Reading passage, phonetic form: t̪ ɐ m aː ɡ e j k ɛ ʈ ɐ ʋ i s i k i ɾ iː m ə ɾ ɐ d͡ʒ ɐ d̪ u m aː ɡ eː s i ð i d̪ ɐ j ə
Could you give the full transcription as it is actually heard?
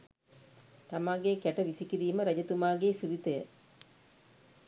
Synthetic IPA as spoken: t̪ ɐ m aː ɡ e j k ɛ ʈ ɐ ʋ i s i k i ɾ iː m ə ɾ ɐ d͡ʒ ɐ t̪ u m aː ɡ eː s i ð i t̪ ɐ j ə